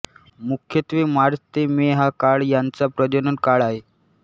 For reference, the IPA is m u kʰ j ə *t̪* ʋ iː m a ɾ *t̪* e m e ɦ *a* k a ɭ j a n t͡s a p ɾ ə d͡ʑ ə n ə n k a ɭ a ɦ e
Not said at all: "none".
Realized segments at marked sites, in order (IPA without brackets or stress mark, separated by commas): t̪, t̪, a